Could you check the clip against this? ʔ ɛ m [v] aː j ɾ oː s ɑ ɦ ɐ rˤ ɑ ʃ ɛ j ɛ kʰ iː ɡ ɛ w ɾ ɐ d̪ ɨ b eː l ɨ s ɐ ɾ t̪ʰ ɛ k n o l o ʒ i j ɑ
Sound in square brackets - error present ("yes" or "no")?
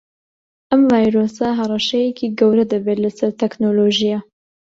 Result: no